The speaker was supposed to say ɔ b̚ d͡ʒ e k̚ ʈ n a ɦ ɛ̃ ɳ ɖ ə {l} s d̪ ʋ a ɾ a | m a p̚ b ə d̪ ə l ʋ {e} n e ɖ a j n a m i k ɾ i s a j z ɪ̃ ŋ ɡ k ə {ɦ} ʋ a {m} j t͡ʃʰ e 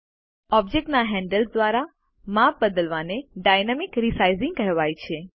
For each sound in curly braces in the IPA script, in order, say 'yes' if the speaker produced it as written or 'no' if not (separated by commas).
yes, no, yes, no